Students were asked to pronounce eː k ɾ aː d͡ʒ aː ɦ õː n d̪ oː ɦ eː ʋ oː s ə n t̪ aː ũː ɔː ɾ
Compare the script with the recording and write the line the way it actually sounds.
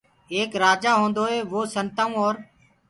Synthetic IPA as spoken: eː k ɾ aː d͡ʒ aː ɦ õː n d̪ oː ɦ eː ʋ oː s ə n t̪ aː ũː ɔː ɾ